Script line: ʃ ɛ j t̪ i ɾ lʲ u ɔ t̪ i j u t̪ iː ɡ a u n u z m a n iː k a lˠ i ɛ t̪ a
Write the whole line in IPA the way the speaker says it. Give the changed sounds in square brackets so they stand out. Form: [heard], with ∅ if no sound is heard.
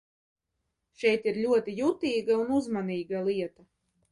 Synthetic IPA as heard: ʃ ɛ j t̪ i ɾ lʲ u ɔ t̪ i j u t̪ iː ɡ a u n u z m a n iː [ɡ] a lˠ i ɛ t̪ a